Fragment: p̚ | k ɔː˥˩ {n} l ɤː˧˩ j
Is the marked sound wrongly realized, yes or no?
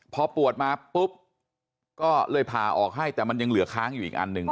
yes